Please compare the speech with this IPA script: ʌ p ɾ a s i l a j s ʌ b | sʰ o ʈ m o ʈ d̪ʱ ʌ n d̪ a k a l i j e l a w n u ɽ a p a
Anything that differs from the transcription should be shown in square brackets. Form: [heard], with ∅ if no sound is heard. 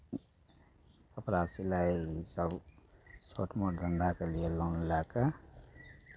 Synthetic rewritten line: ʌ p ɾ a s i l a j s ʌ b | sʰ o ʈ m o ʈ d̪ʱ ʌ n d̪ a k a l i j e l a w n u [l] a [k] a

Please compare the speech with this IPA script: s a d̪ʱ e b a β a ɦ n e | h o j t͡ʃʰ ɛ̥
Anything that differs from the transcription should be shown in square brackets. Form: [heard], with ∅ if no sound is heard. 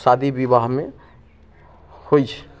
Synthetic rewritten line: s a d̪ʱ [i] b [i] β a ɦ [m] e | h o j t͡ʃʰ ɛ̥

